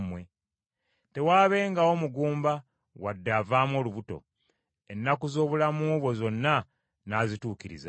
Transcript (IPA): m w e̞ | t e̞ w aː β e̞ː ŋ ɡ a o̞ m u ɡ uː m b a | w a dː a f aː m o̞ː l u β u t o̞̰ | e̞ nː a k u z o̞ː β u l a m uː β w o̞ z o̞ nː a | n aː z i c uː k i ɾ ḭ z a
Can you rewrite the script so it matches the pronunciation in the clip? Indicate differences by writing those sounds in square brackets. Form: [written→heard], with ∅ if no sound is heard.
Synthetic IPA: m w e̞ | t e̞ w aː β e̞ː ŋ ɡ a o̞ m u ɡ uː m b a | w a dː a [f→v] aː m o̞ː l u β u t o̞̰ | e̞ nː a k u z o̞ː β u l a m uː β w o̞ z o̞ nː a | n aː z i [c→t] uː k i ɾ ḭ z a